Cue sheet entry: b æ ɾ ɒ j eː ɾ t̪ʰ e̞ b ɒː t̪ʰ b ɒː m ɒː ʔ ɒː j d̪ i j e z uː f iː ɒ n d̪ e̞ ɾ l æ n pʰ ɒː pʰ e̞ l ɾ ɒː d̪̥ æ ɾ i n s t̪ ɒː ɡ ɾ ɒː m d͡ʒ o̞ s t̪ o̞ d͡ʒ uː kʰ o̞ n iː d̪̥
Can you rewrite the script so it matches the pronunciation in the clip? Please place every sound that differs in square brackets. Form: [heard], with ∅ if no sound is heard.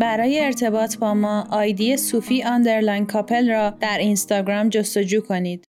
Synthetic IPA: b æ ɾ [ɒː] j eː ɾ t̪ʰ e̞ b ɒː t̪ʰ b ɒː m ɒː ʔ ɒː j d̪ i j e [s] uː f iː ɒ n d̪ e̞ ɾ l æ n [kʰ] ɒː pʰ e̞ l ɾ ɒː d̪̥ æ ɾ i n s t̪ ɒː ɡ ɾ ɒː m d͡ʒ o̞ s t̪ o̞ d͡ʒ uː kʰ o̞ n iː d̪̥